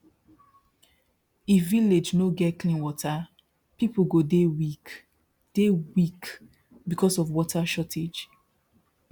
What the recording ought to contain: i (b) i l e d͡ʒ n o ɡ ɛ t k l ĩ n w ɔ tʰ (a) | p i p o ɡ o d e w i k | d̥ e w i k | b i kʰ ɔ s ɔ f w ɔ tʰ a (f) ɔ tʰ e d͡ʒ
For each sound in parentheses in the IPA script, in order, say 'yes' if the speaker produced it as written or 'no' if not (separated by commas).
no, yes, no